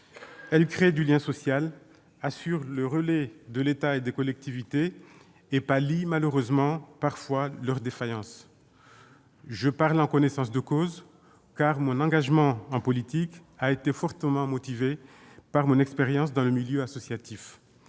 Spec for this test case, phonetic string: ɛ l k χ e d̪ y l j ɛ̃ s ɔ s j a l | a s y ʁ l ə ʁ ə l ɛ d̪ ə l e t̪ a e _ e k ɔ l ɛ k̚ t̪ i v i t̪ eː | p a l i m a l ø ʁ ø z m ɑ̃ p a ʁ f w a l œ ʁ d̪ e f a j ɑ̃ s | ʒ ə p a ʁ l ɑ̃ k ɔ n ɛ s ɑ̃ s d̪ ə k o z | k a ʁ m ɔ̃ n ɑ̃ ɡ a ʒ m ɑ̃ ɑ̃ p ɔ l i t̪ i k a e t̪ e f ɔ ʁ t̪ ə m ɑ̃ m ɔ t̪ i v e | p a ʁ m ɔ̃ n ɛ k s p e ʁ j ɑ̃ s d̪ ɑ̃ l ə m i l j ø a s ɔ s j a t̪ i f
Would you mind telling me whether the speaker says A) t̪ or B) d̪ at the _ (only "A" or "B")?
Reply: B